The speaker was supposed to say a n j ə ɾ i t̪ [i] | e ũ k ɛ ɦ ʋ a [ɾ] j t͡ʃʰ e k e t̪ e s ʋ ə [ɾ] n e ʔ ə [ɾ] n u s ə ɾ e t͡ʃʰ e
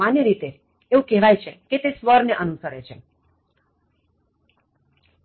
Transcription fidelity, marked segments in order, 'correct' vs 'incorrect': incorrect, incorrect, correct, incorrect

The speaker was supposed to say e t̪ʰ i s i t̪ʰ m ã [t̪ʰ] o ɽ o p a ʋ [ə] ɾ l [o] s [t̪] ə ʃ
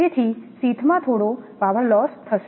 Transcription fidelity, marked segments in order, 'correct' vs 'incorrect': correct, correct, incorrect, incorrect

